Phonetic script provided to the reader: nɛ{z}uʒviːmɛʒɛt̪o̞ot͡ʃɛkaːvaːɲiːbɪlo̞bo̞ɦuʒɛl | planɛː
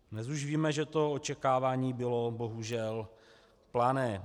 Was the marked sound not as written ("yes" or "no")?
no